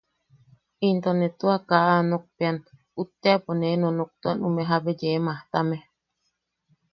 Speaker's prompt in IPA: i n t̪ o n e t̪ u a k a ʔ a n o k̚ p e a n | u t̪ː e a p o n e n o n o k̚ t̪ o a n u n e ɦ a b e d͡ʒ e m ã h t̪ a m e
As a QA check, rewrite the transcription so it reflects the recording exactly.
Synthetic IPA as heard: i n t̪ o n e t̪ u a k a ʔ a n o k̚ p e a n | u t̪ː e a p o n e n o n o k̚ t̪ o a n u m e ɦ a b e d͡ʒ e m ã h t̪ a m e